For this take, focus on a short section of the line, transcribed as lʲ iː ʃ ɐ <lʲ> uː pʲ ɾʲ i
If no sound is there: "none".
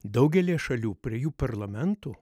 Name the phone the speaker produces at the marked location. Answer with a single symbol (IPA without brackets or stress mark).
lʲ